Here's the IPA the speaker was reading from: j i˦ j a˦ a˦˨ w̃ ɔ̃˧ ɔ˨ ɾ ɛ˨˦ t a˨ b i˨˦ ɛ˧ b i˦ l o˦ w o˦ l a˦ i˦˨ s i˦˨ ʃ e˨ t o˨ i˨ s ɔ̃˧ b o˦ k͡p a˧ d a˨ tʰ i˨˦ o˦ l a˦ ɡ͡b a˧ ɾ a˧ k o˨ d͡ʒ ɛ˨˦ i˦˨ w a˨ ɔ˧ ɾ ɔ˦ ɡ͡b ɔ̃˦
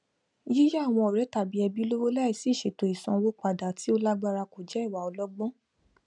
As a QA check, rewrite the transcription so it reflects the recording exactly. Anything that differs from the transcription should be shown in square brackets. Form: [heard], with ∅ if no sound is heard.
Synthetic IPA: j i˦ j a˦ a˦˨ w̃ ɔ̃˧ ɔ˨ ɾ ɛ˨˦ t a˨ b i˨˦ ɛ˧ b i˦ l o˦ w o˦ l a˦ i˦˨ s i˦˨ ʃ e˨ t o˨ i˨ s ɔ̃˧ [w] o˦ k͡p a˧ d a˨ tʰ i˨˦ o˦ l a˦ ɡ͡b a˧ ɾ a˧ k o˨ d͡ʒ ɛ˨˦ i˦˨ w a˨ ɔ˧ [l] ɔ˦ ɡ͡b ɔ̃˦